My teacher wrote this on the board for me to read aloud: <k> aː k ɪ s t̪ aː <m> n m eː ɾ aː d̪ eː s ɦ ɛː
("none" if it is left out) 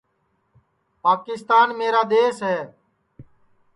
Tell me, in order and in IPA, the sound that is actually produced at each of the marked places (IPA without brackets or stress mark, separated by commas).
p, none